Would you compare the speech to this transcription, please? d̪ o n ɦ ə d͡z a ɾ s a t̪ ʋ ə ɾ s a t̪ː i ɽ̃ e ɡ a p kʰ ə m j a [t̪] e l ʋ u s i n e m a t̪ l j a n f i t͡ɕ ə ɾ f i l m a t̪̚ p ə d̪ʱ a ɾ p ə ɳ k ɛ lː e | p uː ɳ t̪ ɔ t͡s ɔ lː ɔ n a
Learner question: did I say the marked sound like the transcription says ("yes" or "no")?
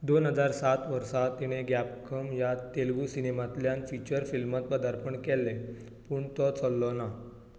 yes